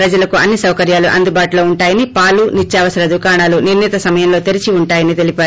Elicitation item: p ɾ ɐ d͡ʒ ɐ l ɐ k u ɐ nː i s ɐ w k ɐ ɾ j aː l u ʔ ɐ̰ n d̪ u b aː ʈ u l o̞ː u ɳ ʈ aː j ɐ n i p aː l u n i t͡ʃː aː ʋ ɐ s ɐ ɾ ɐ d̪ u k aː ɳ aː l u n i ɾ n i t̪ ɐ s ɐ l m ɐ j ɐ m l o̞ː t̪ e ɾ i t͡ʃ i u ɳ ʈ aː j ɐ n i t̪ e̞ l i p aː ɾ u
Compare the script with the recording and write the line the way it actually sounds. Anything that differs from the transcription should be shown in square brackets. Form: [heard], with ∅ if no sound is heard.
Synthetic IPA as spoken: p ɾ ɐ d͡ʒ ɐ l ɐ k u ɐ nː i s ɐ w k ɐ ɾ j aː l u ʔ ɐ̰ n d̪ u b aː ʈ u l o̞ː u ɳ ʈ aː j ɐ n i p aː l u n i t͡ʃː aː ʋ ɐ s ɐ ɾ ɐ d̪ u k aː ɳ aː l u n i ɾ n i t̪ ɐ s ɐ [∅] m ɐ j ɐ m l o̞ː t̪ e ɾ i t͡ʃ i u ɳ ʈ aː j ɐ n i t̪ e̞ l i p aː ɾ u